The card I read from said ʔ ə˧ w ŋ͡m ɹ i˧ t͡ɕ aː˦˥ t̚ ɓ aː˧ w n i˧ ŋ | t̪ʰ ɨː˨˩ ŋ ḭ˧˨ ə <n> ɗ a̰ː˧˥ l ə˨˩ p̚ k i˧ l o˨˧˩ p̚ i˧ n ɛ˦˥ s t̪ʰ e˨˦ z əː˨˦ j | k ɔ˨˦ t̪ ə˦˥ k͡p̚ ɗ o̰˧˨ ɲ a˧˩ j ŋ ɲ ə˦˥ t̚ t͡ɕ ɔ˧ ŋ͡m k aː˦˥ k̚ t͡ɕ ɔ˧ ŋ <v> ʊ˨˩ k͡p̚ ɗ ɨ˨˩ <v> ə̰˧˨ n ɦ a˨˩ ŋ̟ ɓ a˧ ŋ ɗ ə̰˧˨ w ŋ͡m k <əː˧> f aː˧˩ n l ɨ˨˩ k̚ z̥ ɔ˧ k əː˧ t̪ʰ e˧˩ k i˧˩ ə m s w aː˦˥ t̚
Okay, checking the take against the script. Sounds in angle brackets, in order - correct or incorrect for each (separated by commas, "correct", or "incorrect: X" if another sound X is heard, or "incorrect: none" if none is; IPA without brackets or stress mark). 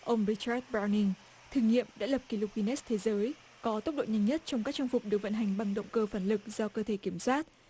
incorrect: m, incorrect: f, correct, correct